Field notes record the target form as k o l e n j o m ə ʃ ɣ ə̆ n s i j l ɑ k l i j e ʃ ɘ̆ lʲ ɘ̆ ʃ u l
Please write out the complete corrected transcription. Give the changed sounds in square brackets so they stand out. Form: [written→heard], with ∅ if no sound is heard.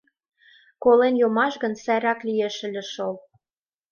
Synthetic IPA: k o l e n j o m [ə→ɑ] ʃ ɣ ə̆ n s [i→æ] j [l→ɾ] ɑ k l i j e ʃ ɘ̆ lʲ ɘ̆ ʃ [u→o] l

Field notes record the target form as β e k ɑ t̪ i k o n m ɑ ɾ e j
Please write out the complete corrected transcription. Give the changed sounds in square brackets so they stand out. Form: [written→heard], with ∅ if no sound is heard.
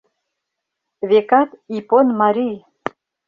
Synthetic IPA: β e k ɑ t̪ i [k→p] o n m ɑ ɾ [e→i] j

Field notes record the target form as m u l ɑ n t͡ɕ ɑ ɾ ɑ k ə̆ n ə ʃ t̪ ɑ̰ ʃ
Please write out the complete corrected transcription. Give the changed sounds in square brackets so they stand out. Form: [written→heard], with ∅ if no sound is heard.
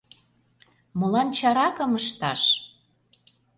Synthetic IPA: m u l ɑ n t͡ɕ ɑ ɾ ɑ k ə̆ [n→m] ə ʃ t̪ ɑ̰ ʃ

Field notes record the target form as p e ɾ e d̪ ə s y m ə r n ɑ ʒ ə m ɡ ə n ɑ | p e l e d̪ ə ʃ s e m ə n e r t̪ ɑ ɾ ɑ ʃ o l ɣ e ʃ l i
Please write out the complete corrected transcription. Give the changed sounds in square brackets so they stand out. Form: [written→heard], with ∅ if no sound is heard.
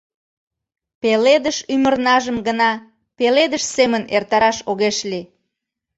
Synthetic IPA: p e [ɾ→l] e d̪ ə [s→ʃ] y m ə r n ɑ ʒ ə m ɡ ə n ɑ | p e l e d̪ ə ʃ s e m ə n e r t̪ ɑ ɾ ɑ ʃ o [l→∅] ɣ e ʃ l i

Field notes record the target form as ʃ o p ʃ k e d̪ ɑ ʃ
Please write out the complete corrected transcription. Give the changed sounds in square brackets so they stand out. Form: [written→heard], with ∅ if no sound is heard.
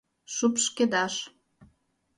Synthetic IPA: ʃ [o→u] p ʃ k e d̪ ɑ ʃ

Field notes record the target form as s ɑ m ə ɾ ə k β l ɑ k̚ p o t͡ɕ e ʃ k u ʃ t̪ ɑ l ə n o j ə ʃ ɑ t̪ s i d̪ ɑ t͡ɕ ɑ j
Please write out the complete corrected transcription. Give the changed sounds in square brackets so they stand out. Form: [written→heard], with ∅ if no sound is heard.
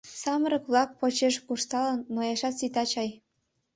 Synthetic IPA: s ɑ m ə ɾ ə k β l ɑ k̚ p o t͡ɕ e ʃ k u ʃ t̪ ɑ l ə [n→nː] o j [ə→ɑ] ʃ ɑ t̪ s i [d̪→t̪] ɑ t͡ɕ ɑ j

